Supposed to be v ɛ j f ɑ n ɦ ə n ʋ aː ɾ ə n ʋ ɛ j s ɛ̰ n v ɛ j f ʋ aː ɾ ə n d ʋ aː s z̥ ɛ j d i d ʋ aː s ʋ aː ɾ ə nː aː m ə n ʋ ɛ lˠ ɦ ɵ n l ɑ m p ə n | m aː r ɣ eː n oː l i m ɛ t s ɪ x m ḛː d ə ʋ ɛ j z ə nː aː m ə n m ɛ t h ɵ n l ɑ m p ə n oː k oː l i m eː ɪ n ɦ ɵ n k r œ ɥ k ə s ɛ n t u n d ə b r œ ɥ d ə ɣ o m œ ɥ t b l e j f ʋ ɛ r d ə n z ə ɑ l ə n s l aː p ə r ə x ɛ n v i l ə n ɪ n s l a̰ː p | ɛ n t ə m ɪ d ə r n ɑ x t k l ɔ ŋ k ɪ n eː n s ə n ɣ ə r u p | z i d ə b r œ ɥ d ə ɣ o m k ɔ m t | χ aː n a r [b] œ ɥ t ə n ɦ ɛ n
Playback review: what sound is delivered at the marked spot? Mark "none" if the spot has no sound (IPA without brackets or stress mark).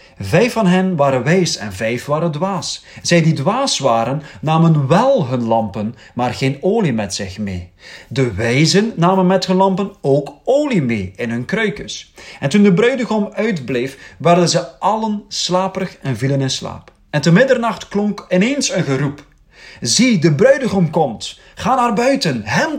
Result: b